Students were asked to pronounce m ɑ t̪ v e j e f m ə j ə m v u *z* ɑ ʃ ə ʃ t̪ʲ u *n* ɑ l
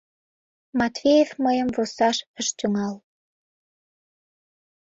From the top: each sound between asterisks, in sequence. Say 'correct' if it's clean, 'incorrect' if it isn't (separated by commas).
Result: incorrect, incorrect